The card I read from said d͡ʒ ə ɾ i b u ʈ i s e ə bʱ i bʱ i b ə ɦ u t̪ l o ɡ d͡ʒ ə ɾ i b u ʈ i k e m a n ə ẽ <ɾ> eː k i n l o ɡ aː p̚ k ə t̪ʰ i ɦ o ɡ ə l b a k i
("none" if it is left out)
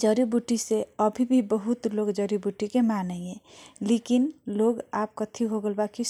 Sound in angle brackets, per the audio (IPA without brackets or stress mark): l